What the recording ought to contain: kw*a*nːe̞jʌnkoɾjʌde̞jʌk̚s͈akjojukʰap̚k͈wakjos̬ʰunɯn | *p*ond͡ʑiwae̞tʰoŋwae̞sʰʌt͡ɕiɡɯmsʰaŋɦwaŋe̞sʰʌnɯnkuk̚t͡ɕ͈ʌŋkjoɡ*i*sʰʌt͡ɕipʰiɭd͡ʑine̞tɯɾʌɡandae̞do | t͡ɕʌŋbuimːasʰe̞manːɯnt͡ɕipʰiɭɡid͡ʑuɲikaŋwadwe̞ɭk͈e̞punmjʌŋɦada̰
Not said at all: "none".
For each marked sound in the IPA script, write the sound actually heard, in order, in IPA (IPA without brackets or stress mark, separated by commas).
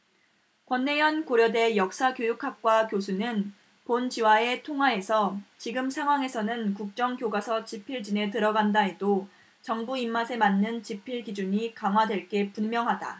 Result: ʌ, p, a